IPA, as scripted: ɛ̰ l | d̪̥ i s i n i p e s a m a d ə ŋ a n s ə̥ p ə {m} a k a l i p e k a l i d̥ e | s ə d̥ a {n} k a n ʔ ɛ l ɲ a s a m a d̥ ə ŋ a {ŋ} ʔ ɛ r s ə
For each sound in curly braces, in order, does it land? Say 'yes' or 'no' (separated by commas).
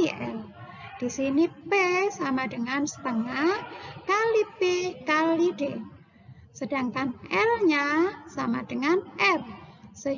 no, no, no